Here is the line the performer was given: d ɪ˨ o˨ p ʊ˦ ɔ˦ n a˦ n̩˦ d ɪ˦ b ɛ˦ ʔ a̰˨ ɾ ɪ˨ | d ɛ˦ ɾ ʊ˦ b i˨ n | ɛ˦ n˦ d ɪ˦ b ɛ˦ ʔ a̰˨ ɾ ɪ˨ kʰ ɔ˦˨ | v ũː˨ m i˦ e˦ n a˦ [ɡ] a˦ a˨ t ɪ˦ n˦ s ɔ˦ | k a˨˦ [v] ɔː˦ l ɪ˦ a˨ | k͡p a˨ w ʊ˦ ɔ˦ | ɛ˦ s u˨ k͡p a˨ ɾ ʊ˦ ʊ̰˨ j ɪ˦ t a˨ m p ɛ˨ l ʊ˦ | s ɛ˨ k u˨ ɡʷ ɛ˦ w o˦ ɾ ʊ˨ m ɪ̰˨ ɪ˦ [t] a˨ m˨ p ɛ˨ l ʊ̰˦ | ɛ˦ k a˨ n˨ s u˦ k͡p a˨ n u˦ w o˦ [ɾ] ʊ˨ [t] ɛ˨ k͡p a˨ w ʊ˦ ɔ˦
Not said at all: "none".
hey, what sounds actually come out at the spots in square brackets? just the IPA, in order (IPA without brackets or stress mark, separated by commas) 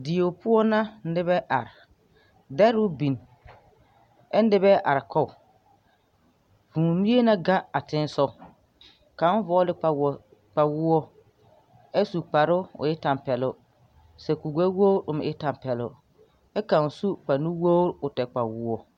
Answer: ɡ, v, t, ɾ, t